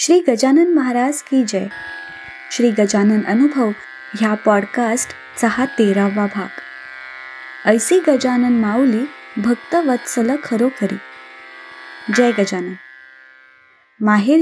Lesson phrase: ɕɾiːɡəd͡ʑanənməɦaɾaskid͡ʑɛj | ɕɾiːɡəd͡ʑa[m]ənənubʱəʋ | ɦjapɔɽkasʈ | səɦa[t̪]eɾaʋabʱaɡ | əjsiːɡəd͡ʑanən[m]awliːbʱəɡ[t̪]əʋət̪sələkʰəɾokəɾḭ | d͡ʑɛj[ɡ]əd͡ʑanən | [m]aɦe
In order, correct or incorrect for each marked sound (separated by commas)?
incorrect, correct, correct, correct, correct, correct